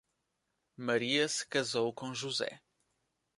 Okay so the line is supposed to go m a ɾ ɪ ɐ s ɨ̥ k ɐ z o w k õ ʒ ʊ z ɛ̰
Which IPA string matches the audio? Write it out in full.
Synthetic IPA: m ɐ ɾ i ɐ s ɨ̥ k ɐ z o w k õ ʒ u z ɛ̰